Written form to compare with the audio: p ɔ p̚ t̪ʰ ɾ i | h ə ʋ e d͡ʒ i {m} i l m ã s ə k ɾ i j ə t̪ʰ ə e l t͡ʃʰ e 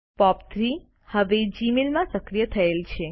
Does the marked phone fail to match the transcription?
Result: no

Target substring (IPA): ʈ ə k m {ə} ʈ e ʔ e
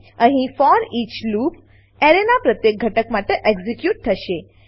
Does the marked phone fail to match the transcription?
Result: yes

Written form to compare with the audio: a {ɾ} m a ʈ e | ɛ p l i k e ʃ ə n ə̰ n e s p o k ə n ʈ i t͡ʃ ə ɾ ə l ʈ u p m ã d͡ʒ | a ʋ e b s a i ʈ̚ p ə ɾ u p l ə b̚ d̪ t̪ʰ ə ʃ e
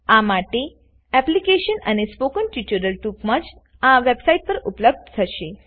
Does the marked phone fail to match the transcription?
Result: yes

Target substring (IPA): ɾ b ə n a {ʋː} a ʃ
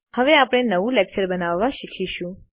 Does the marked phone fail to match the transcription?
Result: no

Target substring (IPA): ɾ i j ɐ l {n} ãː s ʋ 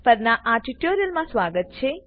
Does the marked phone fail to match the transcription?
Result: yes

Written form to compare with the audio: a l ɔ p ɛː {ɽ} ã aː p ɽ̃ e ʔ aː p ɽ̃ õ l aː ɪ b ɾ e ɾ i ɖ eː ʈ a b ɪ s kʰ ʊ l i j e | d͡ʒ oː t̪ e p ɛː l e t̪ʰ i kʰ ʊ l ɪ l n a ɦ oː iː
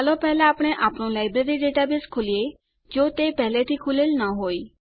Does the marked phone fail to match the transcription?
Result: yes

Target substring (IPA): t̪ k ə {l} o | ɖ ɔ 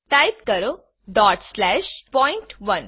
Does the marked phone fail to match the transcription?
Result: yes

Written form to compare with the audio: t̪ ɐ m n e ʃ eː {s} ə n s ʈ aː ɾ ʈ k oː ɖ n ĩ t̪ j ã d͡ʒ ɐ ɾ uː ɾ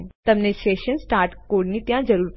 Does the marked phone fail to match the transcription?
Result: yes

